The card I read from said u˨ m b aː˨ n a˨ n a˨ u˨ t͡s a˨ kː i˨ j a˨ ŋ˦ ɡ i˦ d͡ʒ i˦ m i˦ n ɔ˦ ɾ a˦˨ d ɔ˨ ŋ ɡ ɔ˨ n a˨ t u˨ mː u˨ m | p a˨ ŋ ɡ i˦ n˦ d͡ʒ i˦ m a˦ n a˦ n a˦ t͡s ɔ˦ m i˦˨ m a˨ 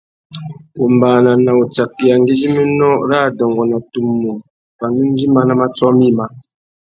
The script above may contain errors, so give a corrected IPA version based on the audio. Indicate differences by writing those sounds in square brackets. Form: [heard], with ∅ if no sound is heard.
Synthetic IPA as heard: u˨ m b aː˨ n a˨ n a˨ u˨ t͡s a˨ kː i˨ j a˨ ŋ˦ ɡ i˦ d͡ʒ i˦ m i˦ n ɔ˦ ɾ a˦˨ d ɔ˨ ŋ ɡ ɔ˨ n a˨ t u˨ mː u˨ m | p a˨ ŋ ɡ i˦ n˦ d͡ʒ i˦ m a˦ n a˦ [m] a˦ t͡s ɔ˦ m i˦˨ m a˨